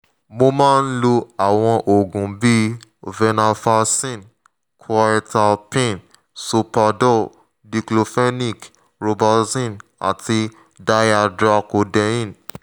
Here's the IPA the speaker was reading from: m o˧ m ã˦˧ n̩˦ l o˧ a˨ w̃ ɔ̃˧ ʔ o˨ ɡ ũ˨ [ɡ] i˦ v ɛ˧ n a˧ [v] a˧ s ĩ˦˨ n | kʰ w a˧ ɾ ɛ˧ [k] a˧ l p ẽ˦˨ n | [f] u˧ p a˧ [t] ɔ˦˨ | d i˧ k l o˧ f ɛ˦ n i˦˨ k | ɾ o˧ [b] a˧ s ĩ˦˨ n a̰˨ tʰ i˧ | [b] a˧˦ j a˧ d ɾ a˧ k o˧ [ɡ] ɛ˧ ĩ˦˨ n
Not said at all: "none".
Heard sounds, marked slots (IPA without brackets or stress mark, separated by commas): b, f, t, s, d, b, d, d